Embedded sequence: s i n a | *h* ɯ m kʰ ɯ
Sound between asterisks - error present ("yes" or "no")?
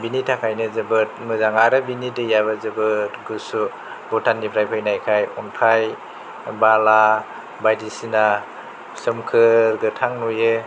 yes